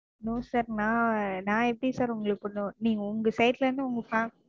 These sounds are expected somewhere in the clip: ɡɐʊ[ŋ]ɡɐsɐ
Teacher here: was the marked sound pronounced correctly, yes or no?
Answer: yes